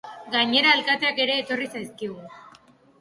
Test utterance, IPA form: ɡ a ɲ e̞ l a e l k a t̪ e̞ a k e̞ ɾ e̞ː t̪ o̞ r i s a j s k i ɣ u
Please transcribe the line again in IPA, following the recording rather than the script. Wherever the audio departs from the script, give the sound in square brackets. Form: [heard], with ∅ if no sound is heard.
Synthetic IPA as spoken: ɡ a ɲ e̞ [ɾ] a e l k a t̪ e̞ a k e̞ ɾ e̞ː t̪ o̞ r i s a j s k i ɣ u